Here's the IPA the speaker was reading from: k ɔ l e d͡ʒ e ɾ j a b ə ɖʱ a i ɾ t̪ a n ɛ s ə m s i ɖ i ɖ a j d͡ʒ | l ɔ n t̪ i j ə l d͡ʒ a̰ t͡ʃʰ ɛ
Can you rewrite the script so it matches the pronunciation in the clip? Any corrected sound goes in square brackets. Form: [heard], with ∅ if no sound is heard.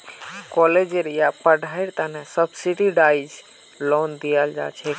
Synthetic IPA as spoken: k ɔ l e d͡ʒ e ɾ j a [p] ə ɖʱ a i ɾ t̪ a n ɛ s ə [b] s i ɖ i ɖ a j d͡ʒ | l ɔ n [d̪] i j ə l d͡ʒ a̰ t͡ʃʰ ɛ